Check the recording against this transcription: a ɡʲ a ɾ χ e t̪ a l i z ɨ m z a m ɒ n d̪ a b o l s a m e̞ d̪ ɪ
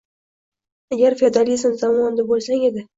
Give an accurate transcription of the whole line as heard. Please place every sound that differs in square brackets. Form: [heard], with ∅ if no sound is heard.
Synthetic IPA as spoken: a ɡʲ a ɾ [f] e [d̪] a l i z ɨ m z a m ɒ n d̪ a b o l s a [ŋ] e̞ d̪ ɪ